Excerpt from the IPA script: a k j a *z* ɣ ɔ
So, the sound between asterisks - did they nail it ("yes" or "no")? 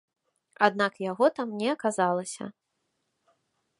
no